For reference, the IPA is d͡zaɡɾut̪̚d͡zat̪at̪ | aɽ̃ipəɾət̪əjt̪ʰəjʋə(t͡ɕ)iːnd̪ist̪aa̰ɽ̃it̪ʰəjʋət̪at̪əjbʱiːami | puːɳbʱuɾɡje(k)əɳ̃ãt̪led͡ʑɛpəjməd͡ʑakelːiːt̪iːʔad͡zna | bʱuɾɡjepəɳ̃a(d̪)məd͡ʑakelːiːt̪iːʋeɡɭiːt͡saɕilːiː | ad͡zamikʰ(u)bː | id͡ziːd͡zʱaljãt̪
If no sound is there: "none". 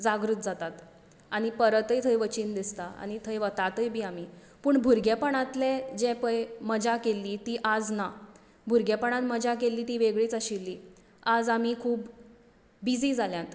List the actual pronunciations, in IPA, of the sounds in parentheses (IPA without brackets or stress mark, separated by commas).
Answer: t͡ɕ, p, t̪, uː